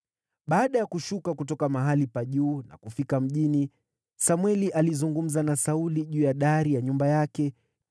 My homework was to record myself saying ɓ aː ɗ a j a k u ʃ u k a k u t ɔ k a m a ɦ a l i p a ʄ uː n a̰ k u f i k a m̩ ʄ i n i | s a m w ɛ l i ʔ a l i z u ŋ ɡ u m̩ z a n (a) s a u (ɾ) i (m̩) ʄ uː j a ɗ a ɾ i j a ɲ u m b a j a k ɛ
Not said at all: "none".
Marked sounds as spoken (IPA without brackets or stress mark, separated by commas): a, l, none